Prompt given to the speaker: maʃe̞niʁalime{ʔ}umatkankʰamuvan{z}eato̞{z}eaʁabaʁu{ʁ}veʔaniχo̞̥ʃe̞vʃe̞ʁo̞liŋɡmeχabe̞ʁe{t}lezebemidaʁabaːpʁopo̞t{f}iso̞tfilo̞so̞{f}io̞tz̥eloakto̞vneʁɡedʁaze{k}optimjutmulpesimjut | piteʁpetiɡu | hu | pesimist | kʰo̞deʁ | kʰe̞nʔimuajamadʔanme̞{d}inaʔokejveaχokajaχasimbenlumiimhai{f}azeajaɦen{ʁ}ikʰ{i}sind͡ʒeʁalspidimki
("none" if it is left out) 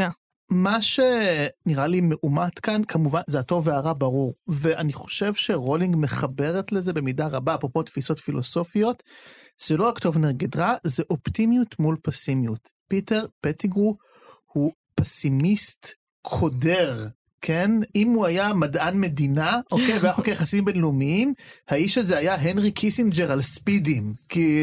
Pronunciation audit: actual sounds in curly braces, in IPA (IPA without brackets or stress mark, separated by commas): ʔ, z, v, ʁ, t, f, f, ʔ, d, ʃ, ʁ, i